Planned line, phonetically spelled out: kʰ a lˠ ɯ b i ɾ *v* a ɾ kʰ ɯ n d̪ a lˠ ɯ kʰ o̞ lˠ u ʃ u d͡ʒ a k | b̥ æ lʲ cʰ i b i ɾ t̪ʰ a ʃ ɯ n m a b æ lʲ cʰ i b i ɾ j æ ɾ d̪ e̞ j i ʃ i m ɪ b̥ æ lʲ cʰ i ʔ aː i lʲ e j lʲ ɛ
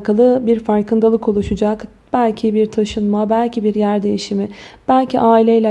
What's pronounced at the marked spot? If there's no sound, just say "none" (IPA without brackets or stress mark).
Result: f